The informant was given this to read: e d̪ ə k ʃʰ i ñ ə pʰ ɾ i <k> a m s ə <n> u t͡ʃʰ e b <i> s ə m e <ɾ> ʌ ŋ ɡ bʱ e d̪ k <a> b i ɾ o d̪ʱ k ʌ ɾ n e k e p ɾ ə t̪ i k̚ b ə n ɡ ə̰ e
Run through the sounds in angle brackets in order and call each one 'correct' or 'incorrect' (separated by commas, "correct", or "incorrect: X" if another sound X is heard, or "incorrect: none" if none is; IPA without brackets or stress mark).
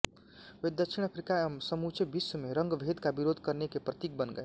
correct, incorrect: m, correct, correct, correct